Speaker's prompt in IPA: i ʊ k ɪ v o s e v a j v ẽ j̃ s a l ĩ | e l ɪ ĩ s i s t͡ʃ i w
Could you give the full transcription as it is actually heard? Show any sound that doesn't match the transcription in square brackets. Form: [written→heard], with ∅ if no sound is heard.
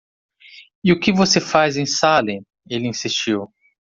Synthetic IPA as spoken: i ʊ k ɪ v o s e [v→f] a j [v→z] ẽ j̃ s a l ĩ | e l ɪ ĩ s i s t͡ʃ i w